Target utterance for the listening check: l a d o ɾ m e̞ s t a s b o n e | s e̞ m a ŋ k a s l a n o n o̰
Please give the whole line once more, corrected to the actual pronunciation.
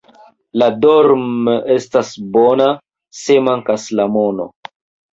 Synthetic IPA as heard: l a d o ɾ m e̞ s t a s b o n a | s e̞ m a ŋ k a s l a m o n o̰